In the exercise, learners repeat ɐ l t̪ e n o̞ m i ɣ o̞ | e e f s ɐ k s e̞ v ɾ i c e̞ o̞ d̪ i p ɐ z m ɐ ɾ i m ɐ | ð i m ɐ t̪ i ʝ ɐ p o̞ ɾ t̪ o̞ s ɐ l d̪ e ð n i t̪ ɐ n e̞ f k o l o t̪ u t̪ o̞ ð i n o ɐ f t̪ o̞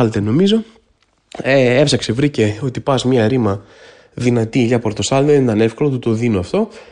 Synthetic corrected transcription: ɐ l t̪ e n o̞ m i z o̞ | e e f s ɐ k s e̞ v ɾ i c e̞ o̞ t̪ i p ɐ z m ɐ ɾ i m ɐ | ð i n ɐ t̪ i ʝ ɐ p o̞ ɾ t̪ o̞ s ɐ l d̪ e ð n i t̪ ɐ n e̞ f k o l o t̪ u t̪ o̞ ð i n o ɐ f t̪ o̞